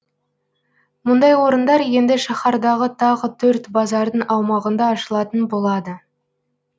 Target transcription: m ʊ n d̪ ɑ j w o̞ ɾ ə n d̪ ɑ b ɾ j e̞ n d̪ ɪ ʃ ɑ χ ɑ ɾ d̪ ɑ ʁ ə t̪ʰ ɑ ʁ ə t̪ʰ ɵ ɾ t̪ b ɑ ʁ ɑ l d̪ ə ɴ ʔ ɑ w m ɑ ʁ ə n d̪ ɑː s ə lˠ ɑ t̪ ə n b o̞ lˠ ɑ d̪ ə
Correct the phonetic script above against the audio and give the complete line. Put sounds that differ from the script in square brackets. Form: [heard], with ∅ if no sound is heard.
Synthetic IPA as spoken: m ʊ n d̪ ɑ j w o̞ ɾ ə n d̪ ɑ [∅] ɾ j e̞ n d̪ ɪ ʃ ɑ χ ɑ ɾ d̪ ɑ ʁ ə t̪ʰ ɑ ʁ ə t̪ʰ ɵ ɾ t̪ b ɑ [z] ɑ [ɾ] d̪ ə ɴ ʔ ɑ w m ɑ ʁ ə n d̪ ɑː [ʃ] ə lˠ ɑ t̪ ə n b o̞ lˠ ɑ d̪ ə